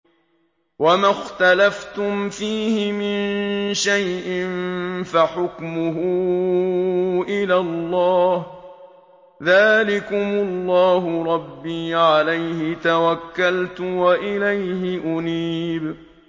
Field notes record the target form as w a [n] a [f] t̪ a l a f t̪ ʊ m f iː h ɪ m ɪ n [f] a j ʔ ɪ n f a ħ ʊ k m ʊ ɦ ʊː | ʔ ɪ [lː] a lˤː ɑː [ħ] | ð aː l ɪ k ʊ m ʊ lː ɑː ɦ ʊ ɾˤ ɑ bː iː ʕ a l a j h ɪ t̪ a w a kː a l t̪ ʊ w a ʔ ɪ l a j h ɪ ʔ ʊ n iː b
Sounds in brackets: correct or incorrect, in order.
incorrect: m, incorrect: x, incorrect: ʃ, incorrect: l, incorrect: h

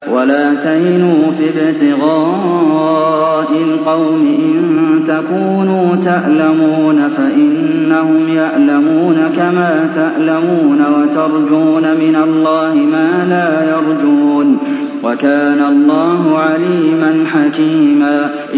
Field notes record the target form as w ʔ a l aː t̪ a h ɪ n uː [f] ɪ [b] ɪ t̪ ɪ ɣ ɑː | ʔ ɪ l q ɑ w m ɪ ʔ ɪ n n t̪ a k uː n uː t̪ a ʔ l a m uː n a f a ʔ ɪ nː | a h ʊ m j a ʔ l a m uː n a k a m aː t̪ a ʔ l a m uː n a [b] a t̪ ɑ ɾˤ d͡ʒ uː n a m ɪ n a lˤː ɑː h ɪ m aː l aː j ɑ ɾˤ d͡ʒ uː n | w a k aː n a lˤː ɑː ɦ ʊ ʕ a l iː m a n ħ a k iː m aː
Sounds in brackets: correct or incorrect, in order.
correct, correct, incorrect: w

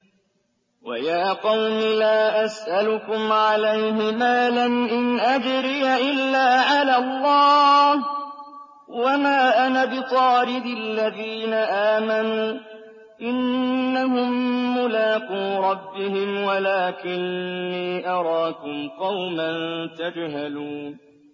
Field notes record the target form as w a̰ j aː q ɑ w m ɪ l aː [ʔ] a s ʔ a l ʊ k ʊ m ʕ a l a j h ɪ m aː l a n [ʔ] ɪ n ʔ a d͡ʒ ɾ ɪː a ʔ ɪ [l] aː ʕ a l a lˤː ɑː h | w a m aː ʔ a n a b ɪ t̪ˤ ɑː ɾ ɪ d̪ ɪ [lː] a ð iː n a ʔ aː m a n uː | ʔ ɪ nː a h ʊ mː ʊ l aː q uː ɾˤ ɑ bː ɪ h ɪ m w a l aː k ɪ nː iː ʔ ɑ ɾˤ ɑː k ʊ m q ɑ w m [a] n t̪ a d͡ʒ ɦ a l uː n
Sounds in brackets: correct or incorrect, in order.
correct, correct, incorrect: lː, correct, correct

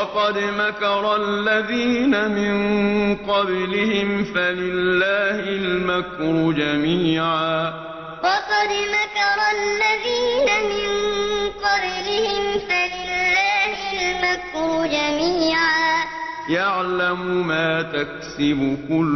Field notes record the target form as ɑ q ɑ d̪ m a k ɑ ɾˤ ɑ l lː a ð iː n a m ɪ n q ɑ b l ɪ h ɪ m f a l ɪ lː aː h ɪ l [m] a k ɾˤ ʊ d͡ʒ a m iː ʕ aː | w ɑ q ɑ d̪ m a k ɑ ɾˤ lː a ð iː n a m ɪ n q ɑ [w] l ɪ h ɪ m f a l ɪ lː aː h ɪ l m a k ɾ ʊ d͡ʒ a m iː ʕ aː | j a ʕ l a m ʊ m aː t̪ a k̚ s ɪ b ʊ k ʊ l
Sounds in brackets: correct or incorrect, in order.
correct, incorrect: b

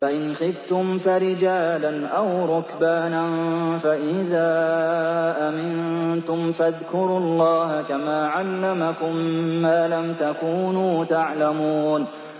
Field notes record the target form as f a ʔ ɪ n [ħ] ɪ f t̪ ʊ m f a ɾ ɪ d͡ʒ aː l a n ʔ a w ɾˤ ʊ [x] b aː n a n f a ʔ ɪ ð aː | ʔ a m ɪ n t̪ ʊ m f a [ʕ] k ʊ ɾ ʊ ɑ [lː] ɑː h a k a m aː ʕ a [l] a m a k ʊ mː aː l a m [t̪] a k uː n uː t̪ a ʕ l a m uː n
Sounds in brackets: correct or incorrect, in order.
incorrect: x, incorrect: k, incorrect: ð, correct, incorrect: lː, correct

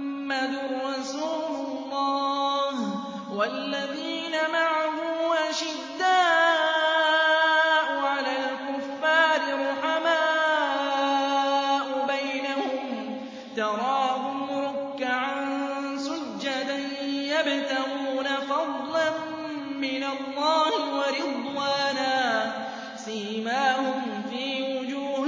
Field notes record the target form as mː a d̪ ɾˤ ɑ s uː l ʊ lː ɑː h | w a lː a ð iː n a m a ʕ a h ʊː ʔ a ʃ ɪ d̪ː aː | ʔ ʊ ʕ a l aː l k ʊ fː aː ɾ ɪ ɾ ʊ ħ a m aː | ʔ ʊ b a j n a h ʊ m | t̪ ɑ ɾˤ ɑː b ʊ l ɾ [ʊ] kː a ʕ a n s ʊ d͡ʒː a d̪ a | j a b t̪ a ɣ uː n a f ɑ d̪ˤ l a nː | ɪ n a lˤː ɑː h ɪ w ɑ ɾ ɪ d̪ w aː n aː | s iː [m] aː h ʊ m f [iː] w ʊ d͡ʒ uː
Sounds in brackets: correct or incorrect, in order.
correct, correct, correct

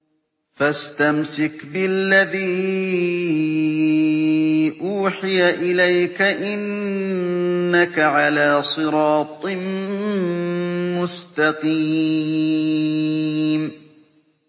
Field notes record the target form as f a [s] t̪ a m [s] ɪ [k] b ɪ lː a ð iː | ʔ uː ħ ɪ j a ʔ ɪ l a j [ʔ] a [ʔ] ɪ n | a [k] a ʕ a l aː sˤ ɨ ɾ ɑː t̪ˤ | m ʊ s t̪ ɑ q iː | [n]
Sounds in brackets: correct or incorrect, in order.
correct, correct, correct, incorrect: k, correct, correct, incorrect: m

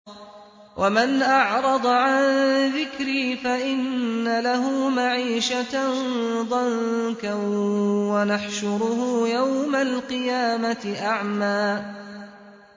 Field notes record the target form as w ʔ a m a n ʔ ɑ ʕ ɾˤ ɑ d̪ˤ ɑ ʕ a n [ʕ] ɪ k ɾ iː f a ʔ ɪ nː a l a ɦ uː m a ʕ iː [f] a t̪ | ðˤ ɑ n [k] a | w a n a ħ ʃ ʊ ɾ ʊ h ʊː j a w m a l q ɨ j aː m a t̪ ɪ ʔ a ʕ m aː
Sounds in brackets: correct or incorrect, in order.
incorrect: ð, incorrect: ʃ, correct

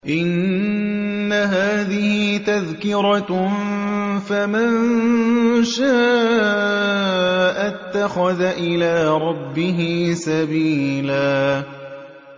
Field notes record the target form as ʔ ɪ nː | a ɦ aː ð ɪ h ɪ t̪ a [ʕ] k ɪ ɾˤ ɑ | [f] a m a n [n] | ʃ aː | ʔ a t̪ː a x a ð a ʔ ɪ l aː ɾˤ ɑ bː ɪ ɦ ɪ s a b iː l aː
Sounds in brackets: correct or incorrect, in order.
incorrect: ð, correct, correct

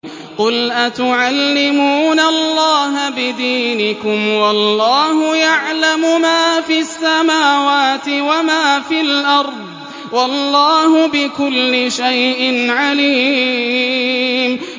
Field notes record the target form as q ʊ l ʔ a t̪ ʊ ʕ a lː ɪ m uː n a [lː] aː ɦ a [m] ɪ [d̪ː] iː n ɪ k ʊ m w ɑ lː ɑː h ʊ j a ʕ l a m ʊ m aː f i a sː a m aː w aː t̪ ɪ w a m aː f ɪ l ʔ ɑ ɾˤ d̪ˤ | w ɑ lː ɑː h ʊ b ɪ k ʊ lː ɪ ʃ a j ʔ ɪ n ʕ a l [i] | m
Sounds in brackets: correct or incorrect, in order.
correct, incorrect: b, incorrect: d̪, incorrect: iː

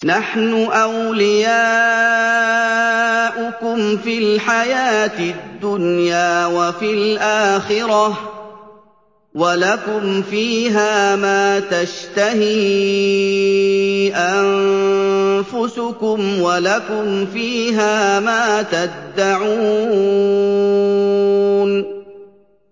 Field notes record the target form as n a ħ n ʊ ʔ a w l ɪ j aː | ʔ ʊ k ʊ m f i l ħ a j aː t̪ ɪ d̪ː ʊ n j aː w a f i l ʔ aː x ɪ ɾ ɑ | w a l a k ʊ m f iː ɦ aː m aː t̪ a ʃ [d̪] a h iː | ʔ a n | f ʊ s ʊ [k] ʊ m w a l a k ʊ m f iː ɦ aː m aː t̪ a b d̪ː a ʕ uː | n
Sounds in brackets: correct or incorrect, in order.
incorrect: t̪, correct

